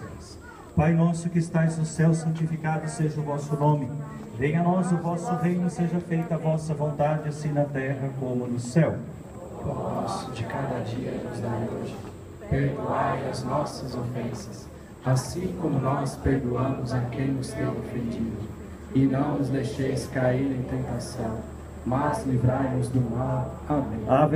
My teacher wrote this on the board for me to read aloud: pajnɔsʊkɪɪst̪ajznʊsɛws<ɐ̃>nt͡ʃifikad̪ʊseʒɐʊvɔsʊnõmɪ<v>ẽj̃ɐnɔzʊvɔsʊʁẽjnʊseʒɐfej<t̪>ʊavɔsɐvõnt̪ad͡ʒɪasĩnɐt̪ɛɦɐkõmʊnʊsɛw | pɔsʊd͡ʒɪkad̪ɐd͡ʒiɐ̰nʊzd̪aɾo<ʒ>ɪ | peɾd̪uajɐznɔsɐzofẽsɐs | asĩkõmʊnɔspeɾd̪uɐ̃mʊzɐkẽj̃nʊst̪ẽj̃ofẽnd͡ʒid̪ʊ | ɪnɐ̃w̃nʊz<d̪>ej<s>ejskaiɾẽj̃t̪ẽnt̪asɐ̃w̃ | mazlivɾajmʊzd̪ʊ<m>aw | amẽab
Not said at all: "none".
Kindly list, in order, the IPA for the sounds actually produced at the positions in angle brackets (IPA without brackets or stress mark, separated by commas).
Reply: ɐ̃, v, t̪, ʒ, d̪, ʃ, m